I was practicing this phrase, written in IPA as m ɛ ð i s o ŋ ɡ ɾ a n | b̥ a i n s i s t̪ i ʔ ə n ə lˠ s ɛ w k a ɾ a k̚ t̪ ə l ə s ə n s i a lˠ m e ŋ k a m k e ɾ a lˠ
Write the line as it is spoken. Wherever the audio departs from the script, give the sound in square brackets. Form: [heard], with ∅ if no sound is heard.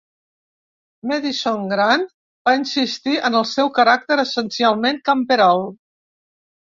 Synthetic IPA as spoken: m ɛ ð i s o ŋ ɡ ɾ a n | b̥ a i n s i s t̪ i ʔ ə n ə lˠ s ɛ w k [ə] ɾ a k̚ t̪ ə [ɾ] ə s ə n s i a lˠ m e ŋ k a m [p] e ɾ a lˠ